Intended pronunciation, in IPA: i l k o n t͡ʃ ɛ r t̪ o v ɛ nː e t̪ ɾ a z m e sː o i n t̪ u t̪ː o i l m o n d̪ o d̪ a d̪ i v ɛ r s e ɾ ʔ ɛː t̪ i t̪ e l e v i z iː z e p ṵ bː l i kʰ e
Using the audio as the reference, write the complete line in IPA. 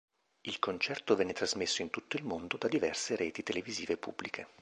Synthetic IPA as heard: i l k o n t͡ʃ ɛ r t̪ o v ɛ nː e t̪ ɾ a z m e sː o i n t̪ u t̪ː o i l m o n d̪ o d̪ a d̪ i v ɛ r s e ɾ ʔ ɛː t̪ i t̪ e l e v i z iː v e p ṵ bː l i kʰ e